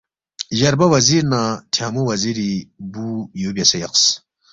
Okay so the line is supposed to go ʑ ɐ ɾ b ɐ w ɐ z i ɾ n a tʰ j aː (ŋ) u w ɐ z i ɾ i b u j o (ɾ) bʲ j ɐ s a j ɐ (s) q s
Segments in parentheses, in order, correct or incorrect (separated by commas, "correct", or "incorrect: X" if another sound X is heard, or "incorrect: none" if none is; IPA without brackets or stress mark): incorrect: m, incorrect: none, incorrect: none